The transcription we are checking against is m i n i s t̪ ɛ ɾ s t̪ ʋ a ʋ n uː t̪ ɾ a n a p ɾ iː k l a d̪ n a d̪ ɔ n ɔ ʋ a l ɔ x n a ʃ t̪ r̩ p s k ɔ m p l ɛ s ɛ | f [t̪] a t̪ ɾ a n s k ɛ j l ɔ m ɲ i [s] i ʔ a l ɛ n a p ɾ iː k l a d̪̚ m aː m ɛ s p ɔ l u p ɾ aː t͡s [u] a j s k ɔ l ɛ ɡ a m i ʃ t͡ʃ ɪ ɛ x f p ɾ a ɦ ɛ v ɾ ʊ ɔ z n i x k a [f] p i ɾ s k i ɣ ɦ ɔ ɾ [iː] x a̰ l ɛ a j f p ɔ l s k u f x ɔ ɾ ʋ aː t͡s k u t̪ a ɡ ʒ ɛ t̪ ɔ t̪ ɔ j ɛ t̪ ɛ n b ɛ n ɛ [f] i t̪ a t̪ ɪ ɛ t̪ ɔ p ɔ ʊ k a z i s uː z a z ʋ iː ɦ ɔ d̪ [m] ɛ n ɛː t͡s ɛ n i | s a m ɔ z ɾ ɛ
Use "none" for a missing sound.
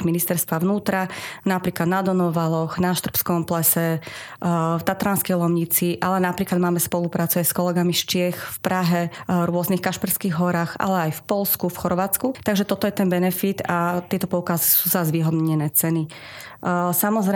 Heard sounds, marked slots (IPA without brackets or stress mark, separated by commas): t̪, t͡s, u, ʃ, aː, f, ɲ